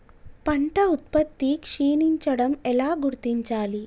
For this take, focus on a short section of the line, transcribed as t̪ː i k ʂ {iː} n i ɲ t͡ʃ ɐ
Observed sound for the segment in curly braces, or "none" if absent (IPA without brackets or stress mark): iː